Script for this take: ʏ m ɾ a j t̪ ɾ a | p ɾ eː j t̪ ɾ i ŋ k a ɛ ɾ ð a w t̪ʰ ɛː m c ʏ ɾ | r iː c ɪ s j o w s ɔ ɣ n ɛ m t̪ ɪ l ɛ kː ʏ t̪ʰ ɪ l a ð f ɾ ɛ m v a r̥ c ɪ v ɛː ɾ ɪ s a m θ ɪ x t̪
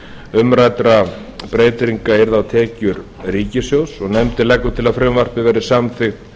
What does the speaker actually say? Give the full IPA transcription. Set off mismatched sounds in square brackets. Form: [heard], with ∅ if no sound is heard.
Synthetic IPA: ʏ m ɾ a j t̪ ɾ a | p ɾ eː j t̪ ɾ i ŋ k a ɛ ɾ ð a w t̪ʰ ɛː [∅] c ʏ ɾ | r iː c ɪ s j o w s ɔ ɣ n ɛ m t̪ ɪ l ɛ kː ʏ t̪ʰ ɪ l a ð f ɾ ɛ m v a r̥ [p] ɪ v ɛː ɾ ɪ s a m θ ɪ x t̪

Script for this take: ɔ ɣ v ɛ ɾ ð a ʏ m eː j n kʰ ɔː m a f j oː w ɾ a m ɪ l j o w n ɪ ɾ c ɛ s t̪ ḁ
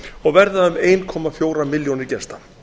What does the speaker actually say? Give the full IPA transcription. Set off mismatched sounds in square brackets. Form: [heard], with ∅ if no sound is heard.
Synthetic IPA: ɔ ɣ v ɛ ɾ ð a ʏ m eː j n kʰ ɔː m a f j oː w ɾ a m ɪ l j o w n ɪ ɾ c ɛ s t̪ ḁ

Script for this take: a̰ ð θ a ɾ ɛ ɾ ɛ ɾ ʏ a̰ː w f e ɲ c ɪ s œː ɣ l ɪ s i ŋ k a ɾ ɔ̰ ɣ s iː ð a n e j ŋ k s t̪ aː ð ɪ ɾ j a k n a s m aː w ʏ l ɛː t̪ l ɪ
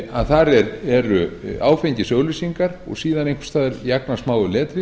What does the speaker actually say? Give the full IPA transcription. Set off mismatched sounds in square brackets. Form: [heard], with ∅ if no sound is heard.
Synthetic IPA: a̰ ð θ a ɾ ɛ ɾ ɛ ɾ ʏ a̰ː w f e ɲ c ɪ s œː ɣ l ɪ s i ŋ k a ɾ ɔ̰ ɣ s iː ð a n e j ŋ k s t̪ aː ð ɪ ɾ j a k n a s m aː w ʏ l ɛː t̪ [ɾ] ɪ

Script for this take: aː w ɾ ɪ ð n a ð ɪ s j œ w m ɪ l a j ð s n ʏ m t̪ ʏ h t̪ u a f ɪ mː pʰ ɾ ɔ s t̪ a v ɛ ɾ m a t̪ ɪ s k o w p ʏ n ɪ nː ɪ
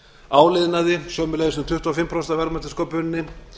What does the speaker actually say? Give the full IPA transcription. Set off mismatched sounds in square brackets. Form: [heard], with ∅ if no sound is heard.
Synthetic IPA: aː w [l] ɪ ð n a ð ɪ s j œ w m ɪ l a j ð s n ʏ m t̪ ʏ h t̪ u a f ɪ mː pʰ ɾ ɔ s t̪ a v ɛ ɾ m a t̪ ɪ s k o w p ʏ n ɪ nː ɪ

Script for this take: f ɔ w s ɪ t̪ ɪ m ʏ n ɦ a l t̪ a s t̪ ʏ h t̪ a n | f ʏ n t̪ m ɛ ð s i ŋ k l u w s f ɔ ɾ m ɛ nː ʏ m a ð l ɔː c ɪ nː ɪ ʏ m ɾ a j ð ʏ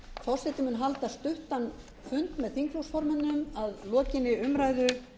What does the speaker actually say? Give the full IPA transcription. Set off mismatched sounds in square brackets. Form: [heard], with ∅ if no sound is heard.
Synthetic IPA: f ɔ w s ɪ t̪ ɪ m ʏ n ɦ a l t̪ a s t̪ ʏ h t̪ a n | f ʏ n t̪ m ɛ ð [θ] i ŋ k l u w s f ɔ ɾ m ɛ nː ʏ m a ð l ɔː c ɪ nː ɪ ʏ m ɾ a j ð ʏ

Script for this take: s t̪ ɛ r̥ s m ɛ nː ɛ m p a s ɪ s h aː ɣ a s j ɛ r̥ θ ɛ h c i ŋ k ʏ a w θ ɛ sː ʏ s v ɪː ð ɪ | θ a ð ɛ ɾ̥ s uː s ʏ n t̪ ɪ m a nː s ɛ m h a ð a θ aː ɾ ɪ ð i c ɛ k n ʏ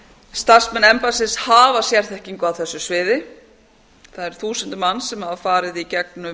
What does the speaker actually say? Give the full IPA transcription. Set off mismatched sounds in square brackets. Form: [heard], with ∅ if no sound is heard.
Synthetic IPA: s t̪ [a] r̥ s m ɛ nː ɛ m p a s ɪ s h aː [v] a s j ɛ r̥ θ ɛ h c i ŋ k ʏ a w θ ɛ sː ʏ s v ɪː ð ɪ | θ a ð ɛ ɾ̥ [θ] uː s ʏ n t̪ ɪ m a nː s ɛ m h a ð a [f] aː ɾ ɪ ð i c ɛ k n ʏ

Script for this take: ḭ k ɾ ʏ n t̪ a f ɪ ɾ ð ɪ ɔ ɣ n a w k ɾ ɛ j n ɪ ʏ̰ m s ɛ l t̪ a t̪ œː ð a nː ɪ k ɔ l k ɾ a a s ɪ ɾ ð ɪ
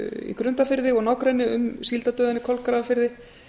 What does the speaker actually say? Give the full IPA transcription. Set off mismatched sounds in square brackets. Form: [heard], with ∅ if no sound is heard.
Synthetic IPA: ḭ k ɾ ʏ n t̪ a f ɪ ɾ ð ɪ ɔ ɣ n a w k ɾ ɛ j n ɪ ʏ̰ m s [i] l t̪ a t̪ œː ð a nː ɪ [kʰ] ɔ l k ɾ a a [f] ɪ ɾ ð ɪ

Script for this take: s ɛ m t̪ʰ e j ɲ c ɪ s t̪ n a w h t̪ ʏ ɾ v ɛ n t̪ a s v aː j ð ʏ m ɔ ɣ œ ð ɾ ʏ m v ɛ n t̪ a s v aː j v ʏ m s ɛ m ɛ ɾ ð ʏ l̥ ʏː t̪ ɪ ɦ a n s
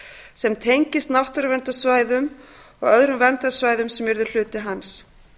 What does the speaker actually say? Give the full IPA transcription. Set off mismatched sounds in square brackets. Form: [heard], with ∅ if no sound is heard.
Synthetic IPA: s ɛ m t̪ʰ e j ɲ c ɪ s t̪ n a w h t̪ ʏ ɾ v ɛ n t̪ a s v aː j ð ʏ m ɔ ɣ œ ð ɾ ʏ m v ɛ n t̪ a s v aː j [ð] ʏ m s ɛ m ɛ ɾ ð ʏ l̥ ʏː t̪ ɪ ɦ a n s

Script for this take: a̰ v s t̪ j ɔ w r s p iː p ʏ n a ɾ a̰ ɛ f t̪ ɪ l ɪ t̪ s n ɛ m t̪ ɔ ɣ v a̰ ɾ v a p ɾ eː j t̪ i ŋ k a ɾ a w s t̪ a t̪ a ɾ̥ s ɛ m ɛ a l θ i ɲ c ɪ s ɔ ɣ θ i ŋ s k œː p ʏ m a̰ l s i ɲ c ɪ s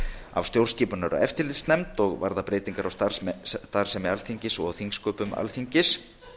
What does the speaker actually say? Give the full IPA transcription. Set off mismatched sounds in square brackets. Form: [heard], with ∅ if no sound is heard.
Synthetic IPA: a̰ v s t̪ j [o] w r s [c] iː p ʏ n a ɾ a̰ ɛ f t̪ ɪ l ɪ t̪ s n ɛ m t̪ ɔ ɣ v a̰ ɾ [ð] a p ɾ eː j t̪ i ŋ k a ɾ a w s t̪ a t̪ a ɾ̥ s ɛ m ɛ a l θ i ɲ c ɪ s ɔ ɣ θ i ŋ s k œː p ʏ m a̰ l [θ] i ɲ c ɪ s

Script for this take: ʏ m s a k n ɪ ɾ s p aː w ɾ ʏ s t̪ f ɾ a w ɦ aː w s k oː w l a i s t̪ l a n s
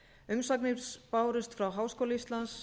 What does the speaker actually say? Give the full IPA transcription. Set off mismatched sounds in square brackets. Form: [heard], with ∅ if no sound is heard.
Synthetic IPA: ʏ m s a k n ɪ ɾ s p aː w ɾ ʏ s t̪ f ɾ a w ɦ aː w s k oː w l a i s t̪ l a n s

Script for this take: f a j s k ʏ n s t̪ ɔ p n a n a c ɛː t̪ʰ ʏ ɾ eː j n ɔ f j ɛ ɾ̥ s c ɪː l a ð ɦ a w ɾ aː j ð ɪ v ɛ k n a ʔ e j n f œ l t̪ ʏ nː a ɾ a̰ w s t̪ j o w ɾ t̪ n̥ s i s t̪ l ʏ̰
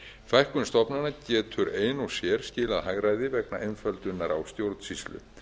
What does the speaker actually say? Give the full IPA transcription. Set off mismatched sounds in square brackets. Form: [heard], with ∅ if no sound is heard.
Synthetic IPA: f a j [h] k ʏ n s t̪ ɔ p n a n a c ɛː t̪ʰ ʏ ɾ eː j n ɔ [s] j ɛ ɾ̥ s c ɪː l a ð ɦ a [ɣ] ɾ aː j ð ɪ v ɛ k n a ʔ e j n f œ l t̪ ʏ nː a ɾ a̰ w s t̪ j o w ɾ t̪ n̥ s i s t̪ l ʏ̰

